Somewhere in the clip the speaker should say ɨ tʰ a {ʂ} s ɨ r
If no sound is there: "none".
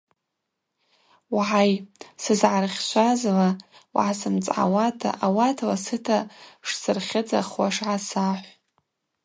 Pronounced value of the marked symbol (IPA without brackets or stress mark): ʂ